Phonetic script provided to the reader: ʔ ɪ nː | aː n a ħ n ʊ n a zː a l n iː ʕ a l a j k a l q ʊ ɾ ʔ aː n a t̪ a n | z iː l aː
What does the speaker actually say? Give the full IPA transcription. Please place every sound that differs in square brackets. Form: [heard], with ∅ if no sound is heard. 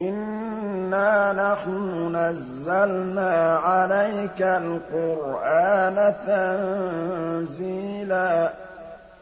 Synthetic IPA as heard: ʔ ɪ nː | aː n a ħ n ʊ n a zː a l n [aː] ʕ a l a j k a l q ʊ ɾ ʔ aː n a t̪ a n | z iː l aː

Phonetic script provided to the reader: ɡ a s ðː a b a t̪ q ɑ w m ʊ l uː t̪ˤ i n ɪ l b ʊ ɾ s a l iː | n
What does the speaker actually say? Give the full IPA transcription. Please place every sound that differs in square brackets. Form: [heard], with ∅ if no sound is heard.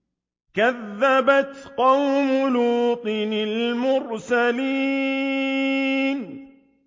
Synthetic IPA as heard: [k] a [∅] ðː a b a t̪ q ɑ w m ʊ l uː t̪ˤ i n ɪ l [m] ʊ ɾ s a l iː | n

